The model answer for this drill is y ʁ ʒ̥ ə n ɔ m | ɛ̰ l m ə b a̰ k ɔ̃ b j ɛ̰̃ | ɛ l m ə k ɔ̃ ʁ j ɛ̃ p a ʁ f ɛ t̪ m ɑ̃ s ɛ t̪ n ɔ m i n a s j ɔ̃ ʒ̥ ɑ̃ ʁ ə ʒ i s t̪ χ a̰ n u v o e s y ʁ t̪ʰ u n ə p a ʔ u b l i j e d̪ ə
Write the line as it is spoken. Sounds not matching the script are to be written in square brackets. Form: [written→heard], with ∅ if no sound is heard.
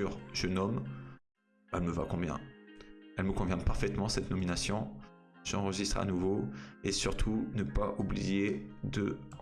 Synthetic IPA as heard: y ʁ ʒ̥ ə n ɔ m | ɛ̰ l m ə [b→v] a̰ k ɔ̃ b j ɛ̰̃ | ɛ l m ə k ɔ̃ [ʁ→v] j ɛ̃ p a ʁ f ɛ t̪ m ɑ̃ s ɛ t̪ n ɔ m i n a s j ɔ̃ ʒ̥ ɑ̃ ʁ ə ʒ i s t̪ χ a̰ n u v o e s y ʁ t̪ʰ u n ə p a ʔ u b l i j e d̪ ə